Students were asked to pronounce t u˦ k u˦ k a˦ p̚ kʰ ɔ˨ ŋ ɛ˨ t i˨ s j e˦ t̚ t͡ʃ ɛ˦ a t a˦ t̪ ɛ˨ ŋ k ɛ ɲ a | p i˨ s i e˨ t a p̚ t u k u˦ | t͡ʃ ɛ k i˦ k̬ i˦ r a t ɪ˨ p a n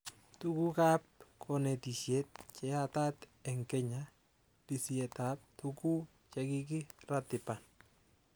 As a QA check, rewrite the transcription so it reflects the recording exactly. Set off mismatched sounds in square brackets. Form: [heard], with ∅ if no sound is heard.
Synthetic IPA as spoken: t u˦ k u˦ k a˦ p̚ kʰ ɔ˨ [n] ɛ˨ t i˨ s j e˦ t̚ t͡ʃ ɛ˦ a t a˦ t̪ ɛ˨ ŋ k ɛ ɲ a | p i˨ s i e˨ t a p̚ t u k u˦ | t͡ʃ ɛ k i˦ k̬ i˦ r a t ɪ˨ p a n